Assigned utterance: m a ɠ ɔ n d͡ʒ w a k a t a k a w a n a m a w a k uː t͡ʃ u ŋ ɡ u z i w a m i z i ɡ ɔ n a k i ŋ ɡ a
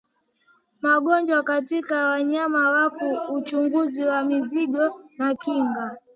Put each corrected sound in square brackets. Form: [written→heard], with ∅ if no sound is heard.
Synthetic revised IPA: m a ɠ ɔ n d͡ʒ w a k a t [a→i] k a w a [n→ɲ] a m a w a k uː t͡ʃ u ŋ ɡ u z i w a m i z i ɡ ɔ n a k i ŋ ɡ a